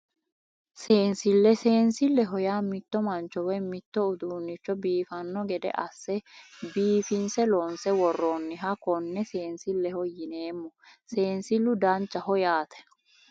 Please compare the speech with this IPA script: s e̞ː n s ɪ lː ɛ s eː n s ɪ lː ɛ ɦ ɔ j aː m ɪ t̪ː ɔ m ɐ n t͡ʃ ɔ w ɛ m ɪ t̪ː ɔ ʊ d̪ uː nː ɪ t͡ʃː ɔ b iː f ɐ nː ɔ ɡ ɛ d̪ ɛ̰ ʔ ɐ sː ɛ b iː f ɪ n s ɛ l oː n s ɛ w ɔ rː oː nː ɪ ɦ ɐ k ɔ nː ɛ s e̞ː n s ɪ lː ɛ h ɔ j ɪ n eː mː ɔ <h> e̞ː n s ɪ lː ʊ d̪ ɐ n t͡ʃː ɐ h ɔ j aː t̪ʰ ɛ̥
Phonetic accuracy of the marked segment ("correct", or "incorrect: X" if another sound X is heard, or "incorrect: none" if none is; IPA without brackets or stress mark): incorrect: s